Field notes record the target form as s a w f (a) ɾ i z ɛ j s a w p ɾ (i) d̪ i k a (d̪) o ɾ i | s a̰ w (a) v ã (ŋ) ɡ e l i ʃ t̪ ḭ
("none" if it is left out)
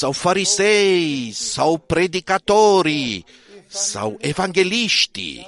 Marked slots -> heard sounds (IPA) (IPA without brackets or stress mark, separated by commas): a, e, t̪, e, ŋ